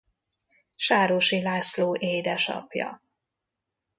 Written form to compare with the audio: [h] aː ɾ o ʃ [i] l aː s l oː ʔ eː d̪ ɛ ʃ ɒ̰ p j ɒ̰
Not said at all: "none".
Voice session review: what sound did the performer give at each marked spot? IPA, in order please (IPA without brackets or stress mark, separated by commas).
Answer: ʃ, i